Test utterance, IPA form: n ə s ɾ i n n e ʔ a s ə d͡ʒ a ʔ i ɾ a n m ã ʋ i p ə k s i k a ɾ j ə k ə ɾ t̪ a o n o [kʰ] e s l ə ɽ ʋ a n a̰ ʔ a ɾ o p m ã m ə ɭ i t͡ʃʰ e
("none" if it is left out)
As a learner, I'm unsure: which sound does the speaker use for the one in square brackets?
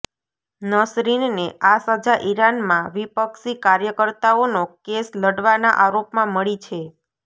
k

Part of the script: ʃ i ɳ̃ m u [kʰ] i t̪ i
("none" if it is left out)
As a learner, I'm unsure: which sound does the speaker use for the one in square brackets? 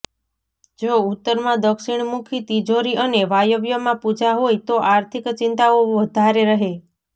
kʰ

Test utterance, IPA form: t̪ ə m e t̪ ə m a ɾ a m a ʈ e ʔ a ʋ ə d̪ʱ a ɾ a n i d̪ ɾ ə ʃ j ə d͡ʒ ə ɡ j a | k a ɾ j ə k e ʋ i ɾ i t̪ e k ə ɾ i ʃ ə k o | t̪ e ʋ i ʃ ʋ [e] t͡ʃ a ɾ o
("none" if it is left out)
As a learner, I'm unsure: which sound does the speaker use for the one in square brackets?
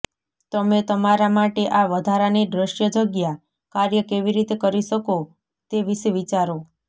i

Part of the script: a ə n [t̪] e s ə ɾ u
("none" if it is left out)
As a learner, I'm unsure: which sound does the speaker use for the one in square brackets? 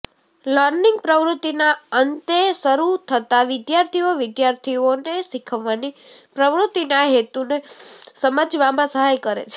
t̪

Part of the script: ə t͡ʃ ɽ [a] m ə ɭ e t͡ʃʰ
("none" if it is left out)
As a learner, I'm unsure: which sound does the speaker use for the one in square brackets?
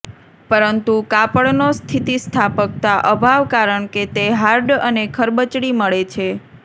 i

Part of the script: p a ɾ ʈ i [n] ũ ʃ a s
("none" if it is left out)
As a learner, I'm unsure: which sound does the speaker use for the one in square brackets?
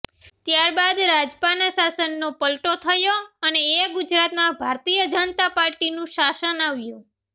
n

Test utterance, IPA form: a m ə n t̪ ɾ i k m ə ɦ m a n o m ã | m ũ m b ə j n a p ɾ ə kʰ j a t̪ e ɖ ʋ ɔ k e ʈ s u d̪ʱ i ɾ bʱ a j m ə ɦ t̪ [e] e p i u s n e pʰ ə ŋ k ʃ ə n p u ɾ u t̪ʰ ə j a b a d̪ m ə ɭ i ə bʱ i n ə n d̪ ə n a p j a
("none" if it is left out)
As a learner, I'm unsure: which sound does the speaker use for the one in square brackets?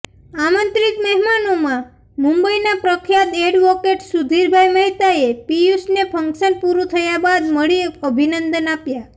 a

